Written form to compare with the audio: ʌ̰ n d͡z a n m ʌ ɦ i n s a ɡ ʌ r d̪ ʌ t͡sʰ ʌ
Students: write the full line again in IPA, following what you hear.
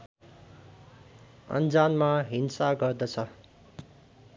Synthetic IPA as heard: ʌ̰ n d͡z a n m a ɦ i n s a ɡ ʌ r d̪ ʌ t͡sʰ ʌ